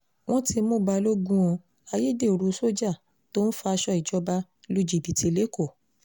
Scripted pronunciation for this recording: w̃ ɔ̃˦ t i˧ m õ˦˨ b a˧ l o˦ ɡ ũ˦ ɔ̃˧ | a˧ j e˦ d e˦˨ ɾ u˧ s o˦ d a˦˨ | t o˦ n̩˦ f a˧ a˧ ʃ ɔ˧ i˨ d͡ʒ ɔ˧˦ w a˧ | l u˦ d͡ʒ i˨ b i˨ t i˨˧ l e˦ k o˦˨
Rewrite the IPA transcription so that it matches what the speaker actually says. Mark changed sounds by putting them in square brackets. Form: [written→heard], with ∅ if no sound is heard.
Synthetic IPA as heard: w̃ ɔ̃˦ t i˧ m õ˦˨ b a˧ l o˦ ɡ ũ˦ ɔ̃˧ | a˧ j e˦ d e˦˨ ɾ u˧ s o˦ [d→d͡ʒ] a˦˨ | t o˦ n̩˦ f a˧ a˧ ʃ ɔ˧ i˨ d͡ʒ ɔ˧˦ [w→b] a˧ | l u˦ d͡ʒ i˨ b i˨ t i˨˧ l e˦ k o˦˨